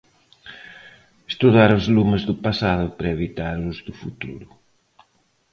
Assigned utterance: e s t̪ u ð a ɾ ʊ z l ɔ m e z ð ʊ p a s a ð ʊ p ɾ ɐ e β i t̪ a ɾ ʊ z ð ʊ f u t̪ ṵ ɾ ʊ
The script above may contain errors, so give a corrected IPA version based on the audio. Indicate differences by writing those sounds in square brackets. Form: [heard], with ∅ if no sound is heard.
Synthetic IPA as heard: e s t̪ u ð a ɾ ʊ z l [u] m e z ð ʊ p a s a ð ʊ p ɾ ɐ e β i t̪ a ɾ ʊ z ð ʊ f u t̪ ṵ ɾ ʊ